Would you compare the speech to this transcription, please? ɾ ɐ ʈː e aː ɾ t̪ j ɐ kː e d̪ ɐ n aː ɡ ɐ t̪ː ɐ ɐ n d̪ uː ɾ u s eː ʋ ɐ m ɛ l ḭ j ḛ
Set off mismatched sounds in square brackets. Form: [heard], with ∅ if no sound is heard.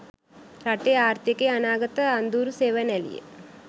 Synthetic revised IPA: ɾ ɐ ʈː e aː ɾ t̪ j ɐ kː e [∅] ɐ n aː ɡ ɐ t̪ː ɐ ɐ n d̪ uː ɾ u s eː ʋ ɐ [n] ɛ l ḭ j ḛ